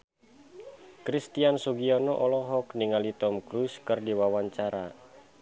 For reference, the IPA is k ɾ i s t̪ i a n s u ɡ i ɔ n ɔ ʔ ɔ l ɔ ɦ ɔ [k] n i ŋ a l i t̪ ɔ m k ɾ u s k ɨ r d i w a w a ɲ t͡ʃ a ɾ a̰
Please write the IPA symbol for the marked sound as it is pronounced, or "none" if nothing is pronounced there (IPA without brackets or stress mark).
k